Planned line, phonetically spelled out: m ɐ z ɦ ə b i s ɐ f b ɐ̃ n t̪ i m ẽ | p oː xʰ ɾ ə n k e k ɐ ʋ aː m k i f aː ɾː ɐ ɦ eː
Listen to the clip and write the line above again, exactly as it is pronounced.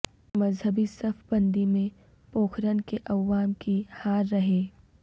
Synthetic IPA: m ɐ z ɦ ə b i s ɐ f b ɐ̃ n d̪ i m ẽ | p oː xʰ ɾ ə n k e ʔ ɐ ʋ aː m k i h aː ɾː ɐ ɦ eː

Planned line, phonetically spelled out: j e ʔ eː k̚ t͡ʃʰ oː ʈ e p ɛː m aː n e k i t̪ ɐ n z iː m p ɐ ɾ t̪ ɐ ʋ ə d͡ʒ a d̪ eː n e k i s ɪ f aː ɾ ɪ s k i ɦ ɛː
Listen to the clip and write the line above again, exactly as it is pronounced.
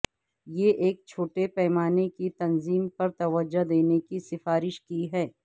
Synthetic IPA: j e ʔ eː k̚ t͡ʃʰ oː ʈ e p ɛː m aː n e k i t̪ ɐ n z iː m p ɐ ɾ t̪ ɐ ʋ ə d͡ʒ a d̪ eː n e k i s ɪ f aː ɾ ɪ ʃ k i ɦ ɛː

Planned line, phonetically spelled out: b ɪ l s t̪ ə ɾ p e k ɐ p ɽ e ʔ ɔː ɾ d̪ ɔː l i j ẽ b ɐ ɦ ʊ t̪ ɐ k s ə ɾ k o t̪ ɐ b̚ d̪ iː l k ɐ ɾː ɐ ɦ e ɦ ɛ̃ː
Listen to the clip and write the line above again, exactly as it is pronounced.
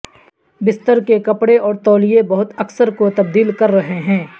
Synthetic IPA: b ɪ s t̪ ə ɾ k e k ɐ p ɽ e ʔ ɔː ɾ t̪ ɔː l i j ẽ b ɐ ɦ ʊ t̪ ɐ k s ə ɾ k o t̪ ɐ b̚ d̪ iː l k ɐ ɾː ɐ ɦ e ɦ ɛ̃ː

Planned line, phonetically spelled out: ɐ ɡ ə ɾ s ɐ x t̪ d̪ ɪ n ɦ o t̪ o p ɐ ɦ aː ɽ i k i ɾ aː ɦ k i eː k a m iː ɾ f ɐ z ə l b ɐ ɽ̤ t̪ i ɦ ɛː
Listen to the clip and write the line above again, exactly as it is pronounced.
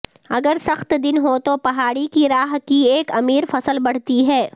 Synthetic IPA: ɐ ɡ ə ɾ s ɐ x t̪ d̪ ɪ n ɦ o t̪ o p ɐ ɦ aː ɽ i k i ɾ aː ɦ k i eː k ɐ m iː ɾ f ɐ s ə l b ɐ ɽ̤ t̪ i ɦ ɛː

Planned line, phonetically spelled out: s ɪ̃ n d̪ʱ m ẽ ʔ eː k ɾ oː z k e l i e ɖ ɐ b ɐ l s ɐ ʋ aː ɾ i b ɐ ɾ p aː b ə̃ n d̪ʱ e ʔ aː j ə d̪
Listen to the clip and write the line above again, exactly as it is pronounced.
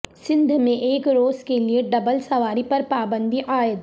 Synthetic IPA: s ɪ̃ n d̪ʱ m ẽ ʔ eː k ɾ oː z k e l i e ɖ ɐ b ə l s ɐ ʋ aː ɾ i p ɐ ɾ p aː b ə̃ n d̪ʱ i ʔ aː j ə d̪

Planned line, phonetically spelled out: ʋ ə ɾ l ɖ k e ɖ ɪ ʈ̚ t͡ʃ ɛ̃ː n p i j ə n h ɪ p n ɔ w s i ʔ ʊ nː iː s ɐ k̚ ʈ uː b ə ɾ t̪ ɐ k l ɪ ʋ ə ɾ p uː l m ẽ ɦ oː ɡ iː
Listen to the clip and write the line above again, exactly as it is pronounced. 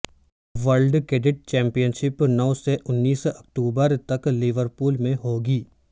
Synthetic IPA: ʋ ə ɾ l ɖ k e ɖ ɪ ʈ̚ t͡ʃ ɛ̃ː m p i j ə n ʃ ɪ p n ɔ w s e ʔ ʊ nː iː s ɐ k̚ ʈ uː b ə ɾ t̪ ɐ k l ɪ ʋ ə ɾ p uː l m ẽ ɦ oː ɡ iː

